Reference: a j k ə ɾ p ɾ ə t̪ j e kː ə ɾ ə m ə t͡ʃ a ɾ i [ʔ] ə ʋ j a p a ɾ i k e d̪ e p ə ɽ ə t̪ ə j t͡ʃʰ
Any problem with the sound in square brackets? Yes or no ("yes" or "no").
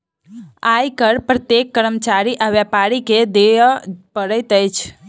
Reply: no